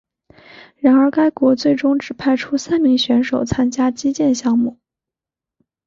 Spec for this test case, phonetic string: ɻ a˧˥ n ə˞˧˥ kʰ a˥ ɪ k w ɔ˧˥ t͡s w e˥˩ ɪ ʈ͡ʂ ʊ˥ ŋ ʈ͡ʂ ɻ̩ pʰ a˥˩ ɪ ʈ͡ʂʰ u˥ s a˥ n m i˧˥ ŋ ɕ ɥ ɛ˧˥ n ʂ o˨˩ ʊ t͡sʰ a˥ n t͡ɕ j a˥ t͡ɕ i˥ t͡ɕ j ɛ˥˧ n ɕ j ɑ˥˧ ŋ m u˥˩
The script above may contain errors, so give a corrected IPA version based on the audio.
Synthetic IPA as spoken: ɻ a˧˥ n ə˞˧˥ k a˥ ɪ k w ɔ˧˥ t͡s w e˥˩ ɪ ʈ͡ʂ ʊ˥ ŋ ʈ͡ʂ ɻ̩ pʰ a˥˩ ɪ ʈ͡ʂʰ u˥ s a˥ n m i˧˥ ŋ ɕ ɥ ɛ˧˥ n ʂ o˨˩ ʊ t͡sʰ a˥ n t͡ɕ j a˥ t͡ɕ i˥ t͡ɕ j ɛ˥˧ n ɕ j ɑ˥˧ ŋ m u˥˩